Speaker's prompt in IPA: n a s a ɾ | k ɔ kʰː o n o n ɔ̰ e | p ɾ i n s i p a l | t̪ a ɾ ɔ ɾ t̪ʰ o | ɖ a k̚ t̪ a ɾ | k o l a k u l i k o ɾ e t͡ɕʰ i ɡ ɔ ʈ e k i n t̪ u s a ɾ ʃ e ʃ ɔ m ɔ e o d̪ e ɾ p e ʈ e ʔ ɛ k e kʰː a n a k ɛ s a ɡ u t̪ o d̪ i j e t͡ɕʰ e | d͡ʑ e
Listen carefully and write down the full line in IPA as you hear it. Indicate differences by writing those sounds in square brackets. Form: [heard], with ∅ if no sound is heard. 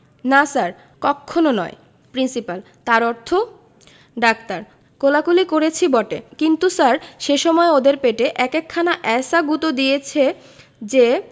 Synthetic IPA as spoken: n a s a ɾ | k ɔ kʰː o n o n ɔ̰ e | p ɾ i n s i p a l | t̪ a ɾ ɔ ɾ t̪ʰ o | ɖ a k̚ t̪ a ɾ | k o l a k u l i k o ɾ e t͡ɕʰ i [b] ɔ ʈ e k i n t̪ u s a ɾ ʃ e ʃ ɔ m ɔ e o d̪ e ɾ p e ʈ e ʔ ɛ k e kʰː a n a [ʔ] ɛ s a ɡ u t̪ o d̪ i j e t͡ɕʰ e | d͡ʑ e